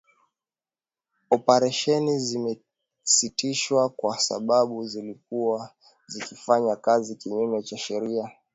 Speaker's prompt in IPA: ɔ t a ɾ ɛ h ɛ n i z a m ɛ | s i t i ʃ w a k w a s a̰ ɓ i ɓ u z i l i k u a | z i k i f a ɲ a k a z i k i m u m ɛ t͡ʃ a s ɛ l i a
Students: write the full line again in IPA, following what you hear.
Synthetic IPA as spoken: ɔ p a ɾ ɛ ʃ ɛ n i z i m ɛ | s i t i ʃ w a k w a s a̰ ɓ a ɓ u z i l i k u a | z i k i f a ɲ a k a z i k i ɲ u m ɛ t͡ʃ a ʃ ɛ ɾ i a